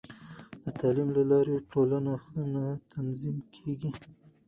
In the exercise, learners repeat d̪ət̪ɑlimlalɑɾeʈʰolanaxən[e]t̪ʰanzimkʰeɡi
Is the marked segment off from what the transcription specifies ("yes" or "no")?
yes